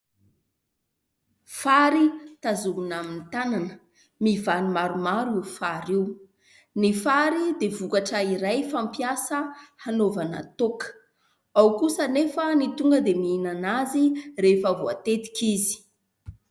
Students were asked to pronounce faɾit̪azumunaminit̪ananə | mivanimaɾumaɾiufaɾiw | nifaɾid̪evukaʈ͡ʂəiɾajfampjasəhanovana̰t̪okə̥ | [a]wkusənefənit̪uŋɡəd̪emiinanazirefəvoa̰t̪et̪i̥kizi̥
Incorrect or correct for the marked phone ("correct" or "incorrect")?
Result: correct